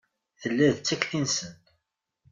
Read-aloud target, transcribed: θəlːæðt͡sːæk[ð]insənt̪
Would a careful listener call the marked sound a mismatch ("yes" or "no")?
yes